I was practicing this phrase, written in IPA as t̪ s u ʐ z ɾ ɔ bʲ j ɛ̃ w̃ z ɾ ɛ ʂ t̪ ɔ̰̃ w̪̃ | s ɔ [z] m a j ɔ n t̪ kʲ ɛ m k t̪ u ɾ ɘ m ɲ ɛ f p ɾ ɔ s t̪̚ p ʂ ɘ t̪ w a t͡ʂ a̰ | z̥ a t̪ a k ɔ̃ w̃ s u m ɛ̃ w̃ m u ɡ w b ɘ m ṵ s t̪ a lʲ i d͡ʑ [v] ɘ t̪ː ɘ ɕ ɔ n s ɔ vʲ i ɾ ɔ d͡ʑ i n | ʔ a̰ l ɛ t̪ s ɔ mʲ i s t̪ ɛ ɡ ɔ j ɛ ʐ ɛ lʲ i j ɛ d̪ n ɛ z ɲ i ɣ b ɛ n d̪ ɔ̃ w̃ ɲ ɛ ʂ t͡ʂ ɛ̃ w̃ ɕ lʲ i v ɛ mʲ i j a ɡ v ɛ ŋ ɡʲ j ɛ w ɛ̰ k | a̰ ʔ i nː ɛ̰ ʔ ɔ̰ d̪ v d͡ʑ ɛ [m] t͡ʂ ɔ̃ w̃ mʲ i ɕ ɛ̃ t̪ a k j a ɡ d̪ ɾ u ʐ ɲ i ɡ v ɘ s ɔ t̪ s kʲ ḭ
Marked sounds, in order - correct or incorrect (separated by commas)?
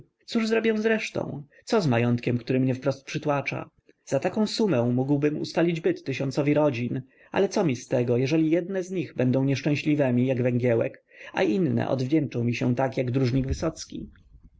correct, incorrect, incorrect